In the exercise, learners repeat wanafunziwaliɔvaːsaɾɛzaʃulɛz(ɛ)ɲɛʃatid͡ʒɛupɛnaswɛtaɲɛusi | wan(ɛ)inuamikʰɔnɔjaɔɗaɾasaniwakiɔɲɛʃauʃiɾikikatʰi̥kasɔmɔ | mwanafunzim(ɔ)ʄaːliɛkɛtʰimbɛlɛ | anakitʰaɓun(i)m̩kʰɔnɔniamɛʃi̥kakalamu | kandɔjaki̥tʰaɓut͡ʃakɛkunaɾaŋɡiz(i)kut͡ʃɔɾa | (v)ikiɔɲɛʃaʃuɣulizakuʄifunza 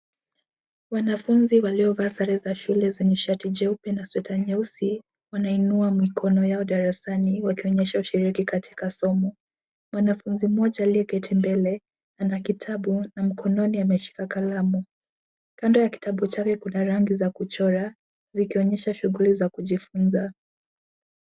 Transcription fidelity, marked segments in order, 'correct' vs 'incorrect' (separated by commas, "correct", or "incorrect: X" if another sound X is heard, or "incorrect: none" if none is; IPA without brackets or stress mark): correct, incorrect: a, correct, incorrect: a, incorrect: a, incorrect: z